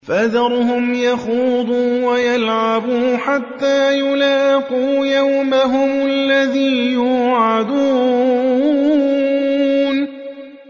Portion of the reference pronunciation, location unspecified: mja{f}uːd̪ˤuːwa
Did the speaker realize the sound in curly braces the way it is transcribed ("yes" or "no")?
no